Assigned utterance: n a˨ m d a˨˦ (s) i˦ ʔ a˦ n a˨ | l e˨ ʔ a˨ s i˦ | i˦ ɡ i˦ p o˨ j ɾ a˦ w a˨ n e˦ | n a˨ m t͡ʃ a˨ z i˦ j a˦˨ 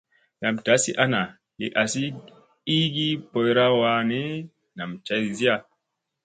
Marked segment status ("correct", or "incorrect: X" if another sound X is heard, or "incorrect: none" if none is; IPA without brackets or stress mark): correct